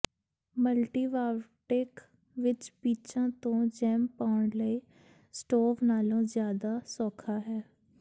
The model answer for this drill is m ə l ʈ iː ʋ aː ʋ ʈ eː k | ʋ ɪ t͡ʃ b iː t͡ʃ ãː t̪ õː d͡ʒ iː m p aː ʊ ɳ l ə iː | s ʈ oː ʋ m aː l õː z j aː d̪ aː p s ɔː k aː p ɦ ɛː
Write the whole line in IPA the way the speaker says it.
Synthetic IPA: m ə l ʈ iː ʋ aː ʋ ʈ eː k | ʋ ɪ t͡ʃ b iː t͡ʃ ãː t̪ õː d͡ʒ ɛː m p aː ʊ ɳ l ə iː | s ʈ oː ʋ n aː l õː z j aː d̪ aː s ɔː kʰ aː ɦ ɛː